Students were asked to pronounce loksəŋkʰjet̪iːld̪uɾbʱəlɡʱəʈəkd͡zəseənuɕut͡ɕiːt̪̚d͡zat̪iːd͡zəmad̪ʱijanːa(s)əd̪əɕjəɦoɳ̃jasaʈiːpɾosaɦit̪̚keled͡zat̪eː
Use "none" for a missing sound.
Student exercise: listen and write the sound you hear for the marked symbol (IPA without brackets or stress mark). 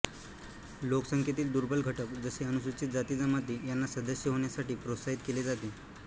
s